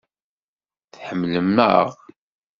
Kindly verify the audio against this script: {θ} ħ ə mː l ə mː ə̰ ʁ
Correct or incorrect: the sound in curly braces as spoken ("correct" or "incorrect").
correct